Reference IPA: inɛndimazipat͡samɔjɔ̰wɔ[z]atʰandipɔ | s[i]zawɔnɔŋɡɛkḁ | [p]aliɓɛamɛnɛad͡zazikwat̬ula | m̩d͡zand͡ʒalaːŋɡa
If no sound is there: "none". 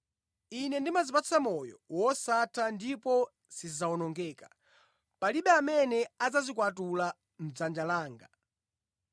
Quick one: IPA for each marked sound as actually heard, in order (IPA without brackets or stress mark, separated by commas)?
s, i, p